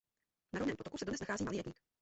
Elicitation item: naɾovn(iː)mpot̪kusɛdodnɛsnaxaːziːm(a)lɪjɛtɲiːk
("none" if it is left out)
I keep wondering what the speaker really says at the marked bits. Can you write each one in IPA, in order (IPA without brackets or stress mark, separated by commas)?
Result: ɛː, a